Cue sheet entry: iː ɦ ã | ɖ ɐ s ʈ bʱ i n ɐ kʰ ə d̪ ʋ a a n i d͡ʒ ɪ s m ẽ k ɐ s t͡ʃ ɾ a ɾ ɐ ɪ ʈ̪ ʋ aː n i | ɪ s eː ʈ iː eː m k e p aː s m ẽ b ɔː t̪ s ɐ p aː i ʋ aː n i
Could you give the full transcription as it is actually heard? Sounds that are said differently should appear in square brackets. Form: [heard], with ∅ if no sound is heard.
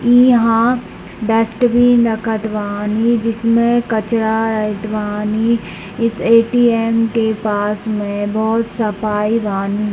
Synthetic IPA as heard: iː ɦ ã | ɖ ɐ s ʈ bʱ i n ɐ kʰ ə [t̪] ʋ a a n i d͡ʒ ɪ s m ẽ k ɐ [∅] t͡ʃ ɾ a ɾ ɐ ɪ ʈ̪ ʋ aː n i | ɪ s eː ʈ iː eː m k e p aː s m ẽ b ɔː t̪ s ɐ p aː i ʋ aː n i